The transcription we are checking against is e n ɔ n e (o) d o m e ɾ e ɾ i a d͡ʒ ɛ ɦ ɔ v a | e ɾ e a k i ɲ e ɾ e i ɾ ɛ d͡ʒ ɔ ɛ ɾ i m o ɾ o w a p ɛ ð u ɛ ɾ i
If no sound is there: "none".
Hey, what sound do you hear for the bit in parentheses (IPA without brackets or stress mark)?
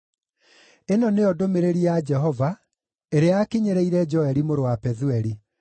ɔ